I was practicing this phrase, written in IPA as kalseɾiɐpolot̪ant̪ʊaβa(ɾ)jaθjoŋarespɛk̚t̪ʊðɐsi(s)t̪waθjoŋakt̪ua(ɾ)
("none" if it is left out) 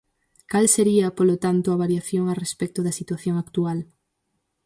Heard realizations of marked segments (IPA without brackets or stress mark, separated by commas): ɾ, none, l